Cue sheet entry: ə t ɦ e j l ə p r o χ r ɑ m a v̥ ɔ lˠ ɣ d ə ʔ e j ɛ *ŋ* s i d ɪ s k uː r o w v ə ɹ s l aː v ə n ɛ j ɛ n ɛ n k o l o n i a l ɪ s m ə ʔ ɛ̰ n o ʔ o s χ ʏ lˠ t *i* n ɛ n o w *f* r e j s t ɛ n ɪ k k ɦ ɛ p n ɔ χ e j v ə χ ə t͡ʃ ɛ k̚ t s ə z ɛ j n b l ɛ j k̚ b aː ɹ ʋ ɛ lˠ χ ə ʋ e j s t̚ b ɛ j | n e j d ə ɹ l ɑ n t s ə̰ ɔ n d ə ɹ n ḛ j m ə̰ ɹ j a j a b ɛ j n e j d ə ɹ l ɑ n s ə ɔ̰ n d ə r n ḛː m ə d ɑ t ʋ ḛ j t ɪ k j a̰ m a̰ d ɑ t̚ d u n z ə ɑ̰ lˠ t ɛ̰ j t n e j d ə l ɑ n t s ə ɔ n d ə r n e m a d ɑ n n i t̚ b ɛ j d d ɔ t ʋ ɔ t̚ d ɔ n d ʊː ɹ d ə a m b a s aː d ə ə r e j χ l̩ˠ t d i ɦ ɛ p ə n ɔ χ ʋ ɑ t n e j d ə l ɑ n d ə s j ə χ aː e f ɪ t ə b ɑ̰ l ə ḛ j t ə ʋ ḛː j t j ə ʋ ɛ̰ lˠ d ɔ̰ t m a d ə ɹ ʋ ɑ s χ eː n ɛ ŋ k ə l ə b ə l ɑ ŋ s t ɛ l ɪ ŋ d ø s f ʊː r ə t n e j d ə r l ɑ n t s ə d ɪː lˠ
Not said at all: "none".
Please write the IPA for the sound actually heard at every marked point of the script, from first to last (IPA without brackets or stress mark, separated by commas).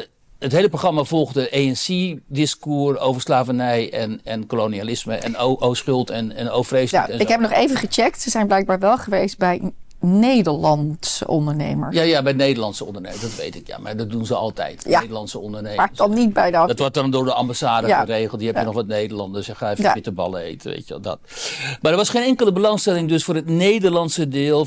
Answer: n, ɛ, f